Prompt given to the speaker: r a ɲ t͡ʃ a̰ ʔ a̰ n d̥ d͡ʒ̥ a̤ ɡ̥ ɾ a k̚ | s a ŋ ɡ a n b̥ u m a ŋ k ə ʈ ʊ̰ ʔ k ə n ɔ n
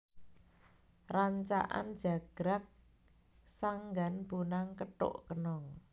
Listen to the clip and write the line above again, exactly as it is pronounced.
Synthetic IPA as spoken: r a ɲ t͡ʃ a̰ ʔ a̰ n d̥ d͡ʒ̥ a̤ ɡ̥ ɾ a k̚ | s a ŋ ɡ a n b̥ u n a ŋ k ə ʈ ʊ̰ ʔ k ə n ɔ ŋ

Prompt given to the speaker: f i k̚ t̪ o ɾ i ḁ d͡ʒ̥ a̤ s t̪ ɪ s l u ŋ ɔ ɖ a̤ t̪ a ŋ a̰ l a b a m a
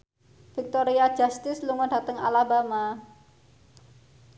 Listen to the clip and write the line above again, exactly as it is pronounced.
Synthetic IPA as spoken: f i k̚ t̪ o ɾ i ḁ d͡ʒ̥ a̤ s t̪ ɪ s l u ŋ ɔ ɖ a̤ t̪ ə ŋ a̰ l a b a m a

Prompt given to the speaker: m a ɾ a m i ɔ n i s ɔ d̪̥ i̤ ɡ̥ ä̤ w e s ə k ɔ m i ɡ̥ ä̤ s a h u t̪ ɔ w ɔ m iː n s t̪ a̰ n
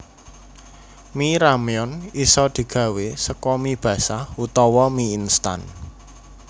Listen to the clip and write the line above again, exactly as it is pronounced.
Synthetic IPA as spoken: m i ɾ a m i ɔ n i s ɔ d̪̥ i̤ ɡ̥ ä̤ w e s ə k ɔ m i b̥ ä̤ s a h u t̪ ɔ w ɔ m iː n s t̪ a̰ n

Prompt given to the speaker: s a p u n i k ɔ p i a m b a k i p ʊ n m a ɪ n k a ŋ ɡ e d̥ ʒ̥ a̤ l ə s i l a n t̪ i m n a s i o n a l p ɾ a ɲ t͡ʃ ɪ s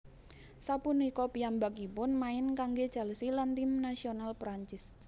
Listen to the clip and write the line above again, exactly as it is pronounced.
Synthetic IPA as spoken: s a p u n i k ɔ p i a m b a k i p ʊ n m a ɪ n k a ŋ ɡ e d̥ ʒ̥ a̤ l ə s i l a n t̪ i m n a s i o n a l p ɾ a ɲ t͡ʃ ɪ s

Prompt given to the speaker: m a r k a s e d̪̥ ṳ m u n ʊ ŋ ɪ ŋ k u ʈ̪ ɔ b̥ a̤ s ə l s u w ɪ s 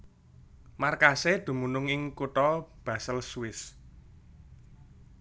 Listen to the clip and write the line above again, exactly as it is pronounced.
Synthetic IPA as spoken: m a r k a s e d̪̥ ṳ m u n ʊ ŋ ɪ ŋ k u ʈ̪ ɔ b̥ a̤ s ə l s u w ɪ s

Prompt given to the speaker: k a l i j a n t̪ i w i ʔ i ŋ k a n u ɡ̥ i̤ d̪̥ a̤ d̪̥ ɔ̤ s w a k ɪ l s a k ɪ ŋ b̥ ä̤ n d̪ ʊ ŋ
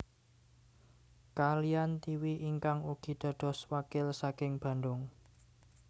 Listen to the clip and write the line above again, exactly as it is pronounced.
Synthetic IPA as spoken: k a l i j a n t̪ i w i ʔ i ŋ k a ŋ u ɡ̥ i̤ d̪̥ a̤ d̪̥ ɔ̤ s w a k ɪ l s a k ɪ ŋ b̥ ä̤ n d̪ ʊ ŋ

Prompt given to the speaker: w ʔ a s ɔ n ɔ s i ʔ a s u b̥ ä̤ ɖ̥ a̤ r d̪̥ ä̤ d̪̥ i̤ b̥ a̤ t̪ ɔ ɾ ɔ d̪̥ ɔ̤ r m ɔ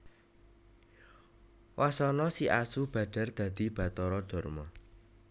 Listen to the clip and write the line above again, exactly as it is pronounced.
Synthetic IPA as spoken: w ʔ a s ɔ n ɔ s i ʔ a s u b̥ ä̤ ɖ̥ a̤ r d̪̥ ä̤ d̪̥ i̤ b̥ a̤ t̪ ɔ ɾ ɔ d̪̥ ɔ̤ r m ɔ

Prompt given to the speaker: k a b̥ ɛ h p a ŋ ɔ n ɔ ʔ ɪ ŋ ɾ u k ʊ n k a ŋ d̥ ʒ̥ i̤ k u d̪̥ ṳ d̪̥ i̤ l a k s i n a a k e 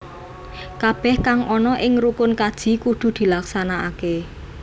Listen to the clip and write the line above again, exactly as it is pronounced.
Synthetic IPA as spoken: k a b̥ ɛ h k a ŋ ɔ n ɔ ʔ ɪ ŋ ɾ u k ʊ n k a d̥ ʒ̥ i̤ k u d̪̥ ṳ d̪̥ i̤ l a k s a n a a k e

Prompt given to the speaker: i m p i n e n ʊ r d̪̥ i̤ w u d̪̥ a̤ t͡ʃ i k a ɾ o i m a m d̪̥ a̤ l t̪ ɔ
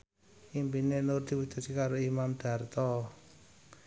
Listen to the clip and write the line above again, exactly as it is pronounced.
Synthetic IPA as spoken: i m p i n e n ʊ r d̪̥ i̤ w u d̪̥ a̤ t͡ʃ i k a ɾ o i m a m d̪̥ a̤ r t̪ ɔ

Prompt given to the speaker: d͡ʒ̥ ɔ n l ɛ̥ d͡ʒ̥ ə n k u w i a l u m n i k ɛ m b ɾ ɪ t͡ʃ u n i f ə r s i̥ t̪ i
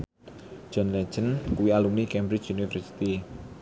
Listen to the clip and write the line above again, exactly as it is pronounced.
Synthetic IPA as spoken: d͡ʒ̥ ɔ n l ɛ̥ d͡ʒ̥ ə n k u w i a l u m n i k ɛ m b ɾ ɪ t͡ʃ u n i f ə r s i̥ t̪ i

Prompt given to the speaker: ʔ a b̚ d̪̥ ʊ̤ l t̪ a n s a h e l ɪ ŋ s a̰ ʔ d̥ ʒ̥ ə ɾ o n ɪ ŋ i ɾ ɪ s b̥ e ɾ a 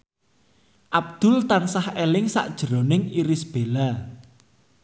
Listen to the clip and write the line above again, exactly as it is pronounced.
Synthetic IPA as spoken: ʔ a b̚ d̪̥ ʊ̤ l t̪ a n s a h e l ɪ ŋ s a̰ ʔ d̥ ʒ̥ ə ɾ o n ɪ ŋ i ɾ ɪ s b̥ e l a

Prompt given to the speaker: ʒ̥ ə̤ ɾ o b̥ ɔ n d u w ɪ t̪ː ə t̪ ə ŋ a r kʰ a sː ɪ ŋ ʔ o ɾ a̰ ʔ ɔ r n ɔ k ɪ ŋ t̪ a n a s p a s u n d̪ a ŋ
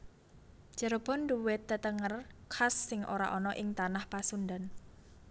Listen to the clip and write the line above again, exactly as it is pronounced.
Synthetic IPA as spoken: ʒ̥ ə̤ ɾ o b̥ ɔ n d u w ɪ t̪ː ə t̪ ə ŋ ə r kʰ a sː ɪ ŋ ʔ o ɾ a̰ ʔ ɔ n ɔ ʔ ɪ ŋ t̪ a n a h p a s u n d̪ a n

